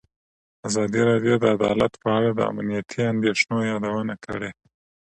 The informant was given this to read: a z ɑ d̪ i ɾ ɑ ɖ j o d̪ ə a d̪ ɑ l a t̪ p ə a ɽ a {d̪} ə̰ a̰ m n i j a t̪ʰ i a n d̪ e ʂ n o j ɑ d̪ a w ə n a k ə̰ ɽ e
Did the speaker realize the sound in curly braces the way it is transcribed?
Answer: yes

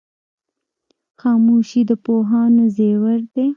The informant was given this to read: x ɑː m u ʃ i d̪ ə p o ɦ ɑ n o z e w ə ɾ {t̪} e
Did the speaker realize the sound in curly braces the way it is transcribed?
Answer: no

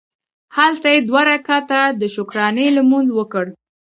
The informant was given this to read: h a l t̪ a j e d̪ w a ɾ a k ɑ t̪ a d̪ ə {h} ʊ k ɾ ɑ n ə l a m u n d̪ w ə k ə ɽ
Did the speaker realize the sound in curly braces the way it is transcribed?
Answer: no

